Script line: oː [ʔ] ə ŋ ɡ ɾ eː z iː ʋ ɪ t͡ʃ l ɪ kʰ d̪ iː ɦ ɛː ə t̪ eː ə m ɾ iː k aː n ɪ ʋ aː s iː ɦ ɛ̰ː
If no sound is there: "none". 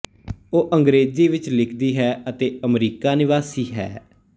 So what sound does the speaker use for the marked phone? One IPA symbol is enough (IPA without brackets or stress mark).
ʔ